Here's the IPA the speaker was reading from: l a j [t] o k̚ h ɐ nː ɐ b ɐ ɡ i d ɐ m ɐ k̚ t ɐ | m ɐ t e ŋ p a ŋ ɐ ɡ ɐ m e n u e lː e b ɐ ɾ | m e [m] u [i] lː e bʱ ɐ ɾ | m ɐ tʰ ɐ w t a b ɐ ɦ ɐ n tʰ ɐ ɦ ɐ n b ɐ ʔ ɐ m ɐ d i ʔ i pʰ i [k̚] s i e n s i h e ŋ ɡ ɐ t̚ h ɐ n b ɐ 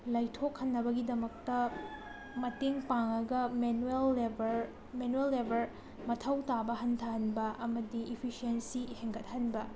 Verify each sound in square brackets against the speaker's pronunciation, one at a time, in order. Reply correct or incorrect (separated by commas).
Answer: incorrect, incorrect, incorrect, incorrect